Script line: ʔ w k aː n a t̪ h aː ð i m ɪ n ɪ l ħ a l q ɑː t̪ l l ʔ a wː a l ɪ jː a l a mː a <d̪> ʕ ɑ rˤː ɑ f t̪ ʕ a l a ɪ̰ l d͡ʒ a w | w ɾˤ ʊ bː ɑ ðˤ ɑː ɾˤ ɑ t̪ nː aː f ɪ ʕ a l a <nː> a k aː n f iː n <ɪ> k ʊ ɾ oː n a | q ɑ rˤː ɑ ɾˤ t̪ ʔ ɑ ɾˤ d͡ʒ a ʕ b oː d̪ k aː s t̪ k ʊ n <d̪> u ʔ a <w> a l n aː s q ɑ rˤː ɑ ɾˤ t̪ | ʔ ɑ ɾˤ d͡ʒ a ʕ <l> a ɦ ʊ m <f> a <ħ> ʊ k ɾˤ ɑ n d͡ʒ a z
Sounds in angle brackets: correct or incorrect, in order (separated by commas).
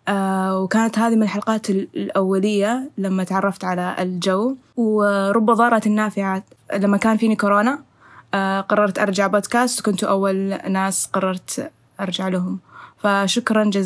incorrect, incorrect, incorrect, incorrect, incorrect, correct, correct, incorrect